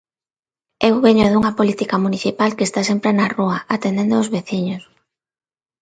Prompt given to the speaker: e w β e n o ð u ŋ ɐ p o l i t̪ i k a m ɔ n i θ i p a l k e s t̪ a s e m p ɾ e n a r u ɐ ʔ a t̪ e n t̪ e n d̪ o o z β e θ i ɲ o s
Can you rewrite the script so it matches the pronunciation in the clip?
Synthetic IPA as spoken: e w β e ɲ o ð u ŋ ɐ p o l i t̪ i k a m u n i θ i p a l k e s t̪ a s e m p ɾ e n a r u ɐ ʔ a t̪ e n d̪ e n d̪ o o z β e θ i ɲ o s